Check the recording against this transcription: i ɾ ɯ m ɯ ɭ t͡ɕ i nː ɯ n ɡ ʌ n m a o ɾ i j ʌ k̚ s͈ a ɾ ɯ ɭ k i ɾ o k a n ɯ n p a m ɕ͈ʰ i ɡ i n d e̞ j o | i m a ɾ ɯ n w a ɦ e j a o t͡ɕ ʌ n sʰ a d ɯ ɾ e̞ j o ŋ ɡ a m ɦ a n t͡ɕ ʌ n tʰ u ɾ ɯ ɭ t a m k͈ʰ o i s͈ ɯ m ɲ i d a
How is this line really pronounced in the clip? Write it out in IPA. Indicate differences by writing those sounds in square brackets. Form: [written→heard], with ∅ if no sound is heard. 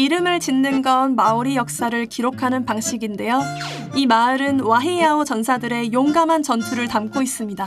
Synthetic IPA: i ɾ ɯ m ɯ ɭ t͡ɕ i nː ɯ n ɡ ʌ n m a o ɾ i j ʌ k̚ s͈ a ɾ ɯ ɭ k i ɾ o [k→kʰ] a n ɯ n p a [m→ŋ] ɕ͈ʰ i ɡ i n d e̞ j o | i m a ɾ ɯ n w a ɦ e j a o t͡ɕ ʌ n sʰ a d ɯ ɾ e̞ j o ŋ ɡ a m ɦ a n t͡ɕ ʌ n tʰ u ɾ ɯ ɭ t a m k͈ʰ o i s͈ ɯ m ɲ i d a